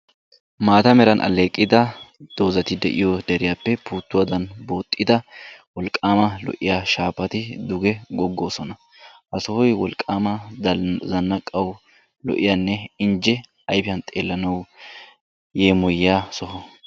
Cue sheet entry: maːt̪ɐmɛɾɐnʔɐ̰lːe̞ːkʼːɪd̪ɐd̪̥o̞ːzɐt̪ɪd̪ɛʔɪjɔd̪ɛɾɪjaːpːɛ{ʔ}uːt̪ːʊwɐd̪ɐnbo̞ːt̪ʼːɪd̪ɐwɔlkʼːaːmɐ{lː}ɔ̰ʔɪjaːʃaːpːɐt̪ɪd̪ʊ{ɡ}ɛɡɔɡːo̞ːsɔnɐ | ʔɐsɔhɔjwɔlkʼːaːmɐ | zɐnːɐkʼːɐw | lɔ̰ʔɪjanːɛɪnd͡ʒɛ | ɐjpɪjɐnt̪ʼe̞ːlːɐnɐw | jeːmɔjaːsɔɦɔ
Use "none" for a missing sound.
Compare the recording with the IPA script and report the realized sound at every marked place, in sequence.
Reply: p, l, ɡ

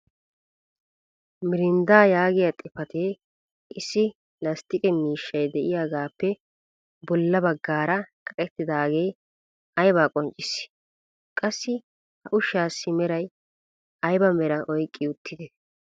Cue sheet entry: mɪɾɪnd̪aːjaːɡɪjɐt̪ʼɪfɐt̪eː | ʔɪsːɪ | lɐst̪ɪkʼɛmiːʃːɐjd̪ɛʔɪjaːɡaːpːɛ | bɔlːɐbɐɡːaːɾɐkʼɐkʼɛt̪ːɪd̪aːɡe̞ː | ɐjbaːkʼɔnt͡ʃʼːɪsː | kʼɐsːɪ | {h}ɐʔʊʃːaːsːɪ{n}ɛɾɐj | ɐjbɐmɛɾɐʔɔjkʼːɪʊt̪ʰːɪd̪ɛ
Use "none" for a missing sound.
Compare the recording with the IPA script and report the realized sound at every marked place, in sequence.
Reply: h, m

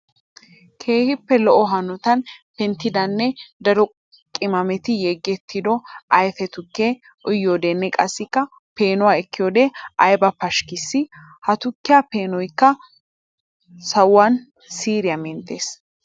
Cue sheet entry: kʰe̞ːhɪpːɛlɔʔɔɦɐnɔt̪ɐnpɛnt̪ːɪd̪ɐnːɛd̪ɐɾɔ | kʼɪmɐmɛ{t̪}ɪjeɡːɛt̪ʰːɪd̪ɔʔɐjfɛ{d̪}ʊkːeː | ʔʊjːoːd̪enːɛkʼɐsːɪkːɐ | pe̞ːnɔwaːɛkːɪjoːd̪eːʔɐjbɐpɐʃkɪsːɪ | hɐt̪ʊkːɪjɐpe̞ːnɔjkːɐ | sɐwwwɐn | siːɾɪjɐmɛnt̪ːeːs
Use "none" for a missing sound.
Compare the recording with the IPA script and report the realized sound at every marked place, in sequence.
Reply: t̪, t̪

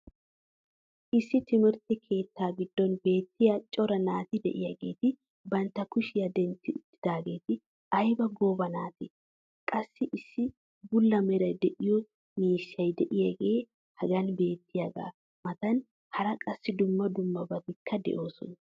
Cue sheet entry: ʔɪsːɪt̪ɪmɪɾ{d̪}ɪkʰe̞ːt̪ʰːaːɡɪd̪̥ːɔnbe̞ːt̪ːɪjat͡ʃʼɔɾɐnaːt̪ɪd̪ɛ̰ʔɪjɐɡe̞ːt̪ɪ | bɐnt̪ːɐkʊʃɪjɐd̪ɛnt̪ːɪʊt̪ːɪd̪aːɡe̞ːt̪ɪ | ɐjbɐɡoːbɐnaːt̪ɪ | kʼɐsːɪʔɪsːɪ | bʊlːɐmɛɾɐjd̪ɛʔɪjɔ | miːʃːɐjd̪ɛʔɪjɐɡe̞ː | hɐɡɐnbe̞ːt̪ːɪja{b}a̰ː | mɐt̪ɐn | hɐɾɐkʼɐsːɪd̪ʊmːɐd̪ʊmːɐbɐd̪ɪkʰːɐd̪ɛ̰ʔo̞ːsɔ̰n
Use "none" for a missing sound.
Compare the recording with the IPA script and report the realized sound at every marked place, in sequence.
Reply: t̪, ɡ

